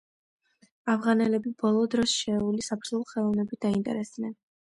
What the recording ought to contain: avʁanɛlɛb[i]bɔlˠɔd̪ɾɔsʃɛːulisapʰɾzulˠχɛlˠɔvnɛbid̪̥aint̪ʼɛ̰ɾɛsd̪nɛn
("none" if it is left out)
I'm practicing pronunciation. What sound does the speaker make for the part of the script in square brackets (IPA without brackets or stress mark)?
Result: i